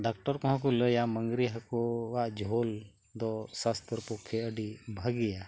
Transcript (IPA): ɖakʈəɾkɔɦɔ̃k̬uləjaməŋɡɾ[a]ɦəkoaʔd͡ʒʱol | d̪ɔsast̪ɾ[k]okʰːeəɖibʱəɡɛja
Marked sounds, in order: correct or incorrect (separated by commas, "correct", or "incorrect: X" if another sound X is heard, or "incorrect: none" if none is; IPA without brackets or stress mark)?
incorrect: i, incorrect: p